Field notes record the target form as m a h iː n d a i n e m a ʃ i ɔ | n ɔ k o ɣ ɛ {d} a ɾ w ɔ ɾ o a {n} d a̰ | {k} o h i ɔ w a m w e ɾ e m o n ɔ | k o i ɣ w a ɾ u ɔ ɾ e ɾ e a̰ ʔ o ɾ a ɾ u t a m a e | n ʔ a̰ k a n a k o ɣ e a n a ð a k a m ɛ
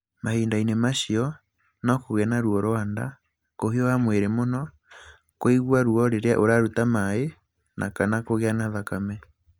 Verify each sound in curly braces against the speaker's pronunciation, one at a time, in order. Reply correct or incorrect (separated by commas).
incorrect, correct, correct